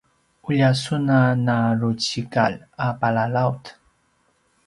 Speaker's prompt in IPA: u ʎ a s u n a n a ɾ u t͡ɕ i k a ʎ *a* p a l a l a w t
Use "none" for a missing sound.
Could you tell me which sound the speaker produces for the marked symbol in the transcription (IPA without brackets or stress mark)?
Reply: a